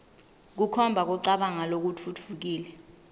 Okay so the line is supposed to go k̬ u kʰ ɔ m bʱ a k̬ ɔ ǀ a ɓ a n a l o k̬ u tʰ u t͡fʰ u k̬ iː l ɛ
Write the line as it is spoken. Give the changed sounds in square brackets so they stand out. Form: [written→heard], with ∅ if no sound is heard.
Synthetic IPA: k̬ u kʰ ɔ m bʱ a k̬ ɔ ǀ a ɓ a [n→ŋ] a l o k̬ u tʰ u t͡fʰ u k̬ iː l ɛ